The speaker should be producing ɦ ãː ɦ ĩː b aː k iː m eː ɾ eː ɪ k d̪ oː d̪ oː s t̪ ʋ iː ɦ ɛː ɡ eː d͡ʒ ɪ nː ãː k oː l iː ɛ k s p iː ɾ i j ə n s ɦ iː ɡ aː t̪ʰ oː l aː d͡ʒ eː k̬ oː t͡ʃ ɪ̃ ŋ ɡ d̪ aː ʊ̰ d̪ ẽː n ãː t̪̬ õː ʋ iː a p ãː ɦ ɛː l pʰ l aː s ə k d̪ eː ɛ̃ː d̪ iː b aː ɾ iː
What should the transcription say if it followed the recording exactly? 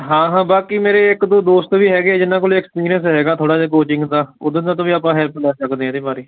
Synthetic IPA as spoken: ɦ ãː ɦ ãː b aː k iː m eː ɾ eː ɪ k d̪ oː d̪ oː s t̪ ʋ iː ɦ ɛː ɡ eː d͡ʒ ɪ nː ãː k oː l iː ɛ k s p iː ɾ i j ə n s ɦ ɛː ɡ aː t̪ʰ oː ɽ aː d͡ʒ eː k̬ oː t͡ʃ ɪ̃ ŋ ɡ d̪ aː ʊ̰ d̪ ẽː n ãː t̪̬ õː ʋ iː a p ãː ɦ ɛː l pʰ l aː s ə k d̪ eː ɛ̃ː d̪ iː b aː ɾ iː